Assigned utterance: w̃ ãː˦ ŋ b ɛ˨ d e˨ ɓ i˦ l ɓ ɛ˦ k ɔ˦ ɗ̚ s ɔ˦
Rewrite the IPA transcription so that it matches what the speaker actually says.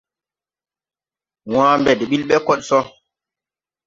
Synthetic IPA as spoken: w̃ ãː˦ m b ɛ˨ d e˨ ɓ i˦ l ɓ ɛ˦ k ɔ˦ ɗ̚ s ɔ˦